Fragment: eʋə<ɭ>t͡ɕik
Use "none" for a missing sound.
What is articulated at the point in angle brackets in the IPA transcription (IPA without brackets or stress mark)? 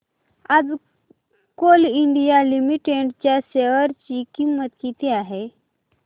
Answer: ɾ